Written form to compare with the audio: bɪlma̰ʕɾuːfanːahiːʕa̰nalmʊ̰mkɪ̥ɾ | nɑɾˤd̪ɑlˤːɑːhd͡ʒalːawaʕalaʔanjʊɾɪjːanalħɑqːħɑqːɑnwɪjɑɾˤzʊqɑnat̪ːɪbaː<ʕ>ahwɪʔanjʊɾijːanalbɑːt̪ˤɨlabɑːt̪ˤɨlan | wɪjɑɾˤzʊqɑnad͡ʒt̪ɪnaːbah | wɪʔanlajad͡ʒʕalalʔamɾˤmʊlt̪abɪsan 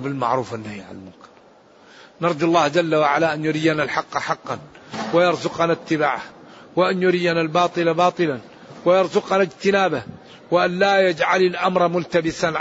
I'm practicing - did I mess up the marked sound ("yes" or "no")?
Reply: no